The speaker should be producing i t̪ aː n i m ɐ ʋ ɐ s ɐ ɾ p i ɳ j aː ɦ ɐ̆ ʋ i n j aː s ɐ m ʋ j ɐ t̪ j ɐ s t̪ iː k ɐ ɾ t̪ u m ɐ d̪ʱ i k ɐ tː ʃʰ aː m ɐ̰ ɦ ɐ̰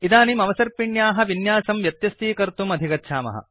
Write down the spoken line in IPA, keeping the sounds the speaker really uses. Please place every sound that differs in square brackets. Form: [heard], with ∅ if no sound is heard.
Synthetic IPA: i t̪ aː n i m ɐ ʋ ɐ s ɐ ɾ p i ɳ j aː ɦ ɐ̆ ʋ i n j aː s ɐ m ʋ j ɐ t̪ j ɐ s t̪ iː k ɐ ɾ t̪ u m ɐ d̪ʱ i k ɐ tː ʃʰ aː m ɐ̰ ɦ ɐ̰

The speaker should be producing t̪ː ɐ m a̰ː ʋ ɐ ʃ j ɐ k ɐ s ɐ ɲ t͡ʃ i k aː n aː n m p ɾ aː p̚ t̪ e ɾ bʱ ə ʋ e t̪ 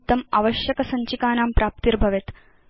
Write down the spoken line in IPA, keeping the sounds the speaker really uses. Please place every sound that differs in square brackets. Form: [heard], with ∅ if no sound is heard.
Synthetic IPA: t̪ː ɐ m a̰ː ʋ ɐ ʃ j ɐ k ɐ s ɐ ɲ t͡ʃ i k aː n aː [∅] m p ɾ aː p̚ t̪ [i] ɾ bʱ [ɐ] ʋ e t̪

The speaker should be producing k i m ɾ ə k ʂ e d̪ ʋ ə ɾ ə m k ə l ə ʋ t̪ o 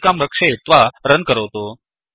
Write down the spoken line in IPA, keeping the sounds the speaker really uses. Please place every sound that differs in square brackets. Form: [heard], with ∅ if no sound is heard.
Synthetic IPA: k [a] m ɾ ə k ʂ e [t̪] ʋ [a] ɾ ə [n] k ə [ɾ] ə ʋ t̪ o

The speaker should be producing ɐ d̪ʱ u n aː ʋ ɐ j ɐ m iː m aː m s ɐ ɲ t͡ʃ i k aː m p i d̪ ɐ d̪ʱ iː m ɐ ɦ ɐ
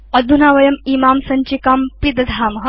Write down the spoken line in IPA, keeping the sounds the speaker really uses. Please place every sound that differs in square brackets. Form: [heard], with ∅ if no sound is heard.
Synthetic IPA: ɐ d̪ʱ u n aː ʋ ɐ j ɐ m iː m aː m s ɐ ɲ t͡ʃ i k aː m p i d̪ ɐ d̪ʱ [aː] m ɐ ɦ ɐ

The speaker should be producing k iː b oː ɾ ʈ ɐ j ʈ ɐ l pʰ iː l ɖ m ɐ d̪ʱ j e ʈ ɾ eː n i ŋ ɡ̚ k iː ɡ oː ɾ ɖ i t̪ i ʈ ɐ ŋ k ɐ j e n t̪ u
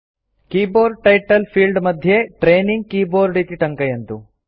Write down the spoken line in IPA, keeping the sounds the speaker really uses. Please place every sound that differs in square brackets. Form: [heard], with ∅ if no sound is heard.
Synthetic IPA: k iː b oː ɾ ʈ ɐ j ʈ ɐ l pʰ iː l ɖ m ɐ d̪ʱ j e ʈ ɾ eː n i ŋ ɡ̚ k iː [b] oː ɾ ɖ i t̪ i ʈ ɐ ŋ k ɐ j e n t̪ u

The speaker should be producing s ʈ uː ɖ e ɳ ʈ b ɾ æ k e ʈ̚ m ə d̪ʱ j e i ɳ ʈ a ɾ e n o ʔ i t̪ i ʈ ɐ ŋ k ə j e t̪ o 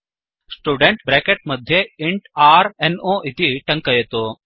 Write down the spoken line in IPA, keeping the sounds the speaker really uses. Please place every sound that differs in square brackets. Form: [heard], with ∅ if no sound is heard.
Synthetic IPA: s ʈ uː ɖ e ɳ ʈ b ɾ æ k e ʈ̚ m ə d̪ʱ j e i ɳ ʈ a ɾ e n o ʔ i t̪ i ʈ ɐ ŋ k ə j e t̪ o

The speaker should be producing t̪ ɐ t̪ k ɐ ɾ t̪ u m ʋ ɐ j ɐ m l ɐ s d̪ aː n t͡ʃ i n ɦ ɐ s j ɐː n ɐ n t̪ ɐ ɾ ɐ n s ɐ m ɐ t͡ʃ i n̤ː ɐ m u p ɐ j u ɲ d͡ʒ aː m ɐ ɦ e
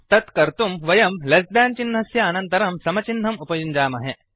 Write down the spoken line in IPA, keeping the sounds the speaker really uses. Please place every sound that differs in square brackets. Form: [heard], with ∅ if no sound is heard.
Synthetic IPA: t̪ ɐ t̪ k ɐ ɾ t̪ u m ʋ ɐ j ɐ m l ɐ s d̪ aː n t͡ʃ i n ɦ ɐ s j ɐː n ɐ n t̪ ɐ ɾ ɐ [m] s ɐ m ɐ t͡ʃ i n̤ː ɐ m u p ɐ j u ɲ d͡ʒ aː m ɐ ɦ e

